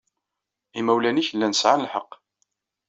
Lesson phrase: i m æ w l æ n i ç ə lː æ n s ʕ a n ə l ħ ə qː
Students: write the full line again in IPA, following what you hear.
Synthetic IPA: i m æ w l æ n i ç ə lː æ n s ʕ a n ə l ħ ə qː